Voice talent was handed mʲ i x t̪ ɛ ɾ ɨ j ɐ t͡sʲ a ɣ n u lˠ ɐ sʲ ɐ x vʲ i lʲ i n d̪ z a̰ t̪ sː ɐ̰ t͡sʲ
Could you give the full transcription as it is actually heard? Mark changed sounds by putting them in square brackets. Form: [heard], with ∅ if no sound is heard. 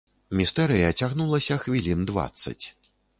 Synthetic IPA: mʲ i [s] t̪ ɛ ɾ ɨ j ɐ t͡sʲ a ɣ n u lˠ ɐ sʲ ɐ x vʲ i lʲ i n d̪ [v] a̰ t̪ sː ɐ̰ t͡sʲ